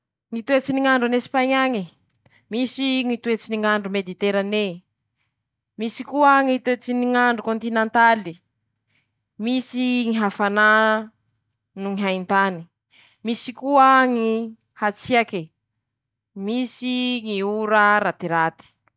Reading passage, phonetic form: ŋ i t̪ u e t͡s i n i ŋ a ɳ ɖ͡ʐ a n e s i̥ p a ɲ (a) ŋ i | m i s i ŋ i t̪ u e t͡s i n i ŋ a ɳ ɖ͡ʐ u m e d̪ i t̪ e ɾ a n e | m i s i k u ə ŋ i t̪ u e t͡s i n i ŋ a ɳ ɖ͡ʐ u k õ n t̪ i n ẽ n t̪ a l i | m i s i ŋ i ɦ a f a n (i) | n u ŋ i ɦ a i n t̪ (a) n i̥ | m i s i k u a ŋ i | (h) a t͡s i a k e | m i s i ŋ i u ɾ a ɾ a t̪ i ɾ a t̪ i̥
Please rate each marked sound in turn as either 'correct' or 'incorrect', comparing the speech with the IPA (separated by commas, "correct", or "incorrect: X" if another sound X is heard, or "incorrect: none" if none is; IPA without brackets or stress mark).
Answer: correct, incorrect: a, correct, correct